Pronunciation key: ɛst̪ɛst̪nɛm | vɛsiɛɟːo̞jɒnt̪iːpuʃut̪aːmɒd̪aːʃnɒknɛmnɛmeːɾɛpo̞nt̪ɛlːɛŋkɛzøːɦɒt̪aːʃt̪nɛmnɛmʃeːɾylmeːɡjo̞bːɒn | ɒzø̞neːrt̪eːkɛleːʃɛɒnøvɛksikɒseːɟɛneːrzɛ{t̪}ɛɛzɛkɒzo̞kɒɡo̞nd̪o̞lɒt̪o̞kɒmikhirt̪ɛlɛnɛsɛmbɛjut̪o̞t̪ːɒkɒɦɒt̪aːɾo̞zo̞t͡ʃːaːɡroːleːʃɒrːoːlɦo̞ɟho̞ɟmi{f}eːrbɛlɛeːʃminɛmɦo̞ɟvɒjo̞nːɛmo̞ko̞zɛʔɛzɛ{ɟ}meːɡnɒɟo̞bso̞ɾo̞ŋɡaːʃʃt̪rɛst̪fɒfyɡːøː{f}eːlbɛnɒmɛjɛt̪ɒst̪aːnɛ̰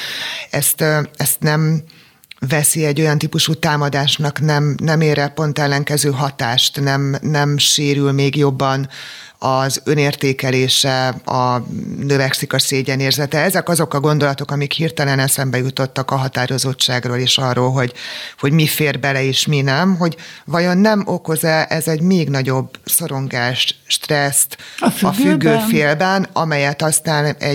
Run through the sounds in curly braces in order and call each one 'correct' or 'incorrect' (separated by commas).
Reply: correct, correct, correct, correct